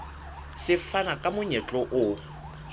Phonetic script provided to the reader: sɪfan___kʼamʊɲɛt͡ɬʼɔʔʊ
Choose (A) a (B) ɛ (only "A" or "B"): A